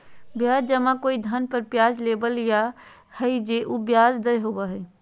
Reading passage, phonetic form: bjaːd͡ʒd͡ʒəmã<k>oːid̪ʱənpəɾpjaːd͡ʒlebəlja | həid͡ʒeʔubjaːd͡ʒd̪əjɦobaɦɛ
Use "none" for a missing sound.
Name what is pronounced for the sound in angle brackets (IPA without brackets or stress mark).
k